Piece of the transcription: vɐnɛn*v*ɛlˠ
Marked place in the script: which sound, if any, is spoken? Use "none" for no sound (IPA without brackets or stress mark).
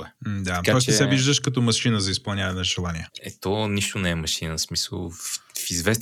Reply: ʒ